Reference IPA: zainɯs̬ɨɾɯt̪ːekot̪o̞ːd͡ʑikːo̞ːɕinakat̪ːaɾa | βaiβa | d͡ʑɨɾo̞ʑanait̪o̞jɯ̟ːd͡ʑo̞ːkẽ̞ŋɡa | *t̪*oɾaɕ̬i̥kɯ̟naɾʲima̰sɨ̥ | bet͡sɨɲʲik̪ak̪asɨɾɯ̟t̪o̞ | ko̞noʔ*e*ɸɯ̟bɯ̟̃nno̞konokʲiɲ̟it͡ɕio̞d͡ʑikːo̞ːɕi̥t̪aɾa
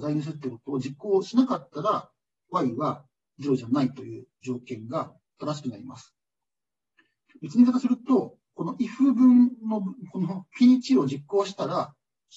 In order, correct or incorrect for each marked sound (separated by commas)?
correct, incorrect